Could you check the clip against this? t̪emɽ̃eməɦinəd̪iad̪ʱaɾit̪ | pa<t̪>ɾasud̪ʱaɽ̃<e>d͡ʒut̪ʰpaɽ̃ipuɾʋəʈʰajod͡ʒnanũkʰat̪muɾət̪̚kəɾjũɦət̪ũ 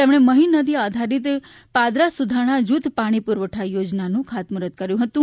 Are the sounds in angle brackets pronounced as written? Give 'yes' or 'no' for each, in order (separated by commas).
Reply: no, no